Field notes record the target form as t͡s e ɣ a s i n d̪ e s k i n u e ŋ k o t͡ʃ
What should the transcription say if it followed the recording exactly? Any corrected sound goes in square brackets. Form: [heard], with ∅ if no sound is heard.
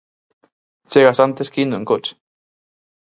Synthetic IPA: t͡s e ɣ a s [a] n [t̪] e s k i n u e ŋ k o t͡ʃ